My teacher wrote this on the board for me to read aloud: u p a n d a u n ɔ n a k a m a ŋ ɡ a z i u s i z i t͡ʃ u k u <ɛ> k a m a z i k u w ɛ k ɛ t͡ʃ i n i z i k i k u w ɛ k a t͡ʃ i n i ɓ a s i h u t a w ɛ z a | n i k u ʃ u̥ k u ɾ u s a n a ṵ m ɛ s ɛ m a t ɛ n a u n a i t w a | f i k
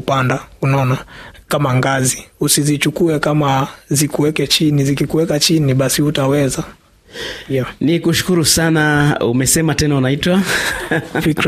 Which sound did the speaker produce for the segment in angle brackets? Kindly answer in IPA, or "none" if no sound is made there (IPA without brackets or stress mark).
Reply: ɛ